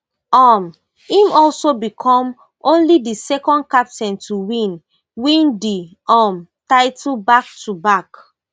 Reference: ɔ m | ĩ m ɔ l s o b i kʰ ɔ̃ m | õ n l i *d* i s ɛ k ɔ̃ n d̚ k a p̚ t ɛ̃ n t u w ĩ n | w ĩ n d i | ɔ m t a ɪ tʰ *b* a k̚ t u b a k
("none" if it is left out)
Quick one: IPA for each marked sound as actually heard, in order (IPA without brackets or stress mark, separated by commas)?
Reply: d, b